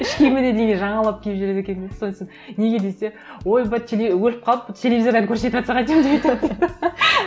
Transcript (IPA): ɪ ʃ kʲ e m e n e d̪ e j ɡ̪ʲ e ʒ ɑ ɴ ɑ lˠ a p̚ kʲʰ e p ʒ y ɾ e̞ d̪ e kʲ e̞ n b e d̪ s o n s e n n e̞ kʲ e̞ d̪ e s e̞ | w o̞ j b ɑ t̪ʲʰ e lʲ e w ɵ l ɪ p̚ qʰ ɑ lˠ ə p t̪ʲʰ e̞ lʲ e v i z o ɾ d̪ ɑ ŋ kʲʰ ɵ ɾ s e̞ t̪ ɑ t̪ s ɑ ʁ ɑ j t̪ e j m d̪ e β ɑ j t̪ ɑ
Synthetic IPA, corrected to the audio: ɪ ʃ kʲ e m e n e d̪ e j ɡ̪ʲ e ʒ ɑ ɴ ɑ lˠ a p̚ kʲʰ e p ʒ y ɾ e̞ d̪ e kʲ e̞ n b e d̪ s o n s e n n e̞ ɡʲ e̞ d̪ e s e̞ | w o̞ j b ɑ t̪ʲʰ e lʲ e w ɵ l ɪ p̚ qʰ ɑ lˠ ə p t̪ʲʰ e̞ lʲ e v i z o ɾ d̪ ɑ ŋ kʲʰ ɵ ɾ s e̞ t̪ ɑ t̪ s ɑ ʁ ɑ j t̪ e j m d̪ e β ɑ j t̪ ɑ